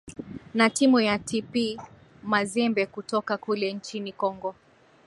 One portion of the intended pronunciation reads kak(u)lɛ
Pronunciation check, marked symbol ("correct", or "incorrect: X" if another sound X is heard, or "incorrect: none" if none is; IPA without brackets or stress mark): correct